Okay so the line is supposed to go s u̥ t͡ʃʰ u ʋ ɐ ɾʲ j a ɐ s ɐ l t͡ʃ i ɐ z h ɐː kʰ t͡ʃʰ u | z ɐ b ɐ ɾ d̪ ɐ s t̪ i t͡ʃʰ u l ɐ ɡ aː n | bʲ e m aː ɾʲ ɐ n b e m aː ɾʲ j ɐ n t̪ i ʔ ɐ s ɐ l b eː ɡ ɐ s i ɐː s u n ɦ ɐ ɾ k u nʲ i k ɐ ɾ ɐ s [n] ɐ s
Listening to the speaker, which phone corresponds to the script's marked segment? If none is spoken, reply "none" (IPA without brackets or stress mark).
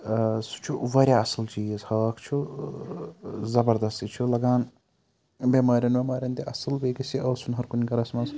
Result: m